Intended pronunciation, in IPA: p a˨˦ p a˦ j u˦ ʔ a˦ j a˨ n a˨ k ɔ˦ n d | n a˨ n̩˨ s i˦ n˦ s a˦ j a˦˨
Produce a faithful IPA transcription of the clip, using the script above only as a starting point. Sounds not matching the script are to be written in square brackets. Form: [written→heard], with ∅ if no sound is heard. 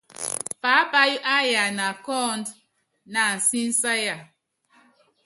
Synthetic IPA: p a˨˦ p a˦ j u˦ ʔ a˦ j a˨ n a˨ k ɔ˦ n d | n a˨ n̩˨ s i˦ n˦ s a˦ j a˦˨